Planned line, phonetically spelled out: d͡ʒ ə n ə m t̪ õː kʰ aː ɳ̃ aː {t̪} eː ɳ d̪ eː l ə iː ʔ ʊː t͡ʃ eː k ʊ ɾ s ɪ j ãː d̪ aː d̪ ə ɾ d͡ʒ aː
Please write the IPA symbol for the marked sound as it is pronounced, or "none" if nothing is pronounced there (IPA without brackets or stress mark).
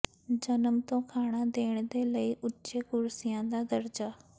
d̪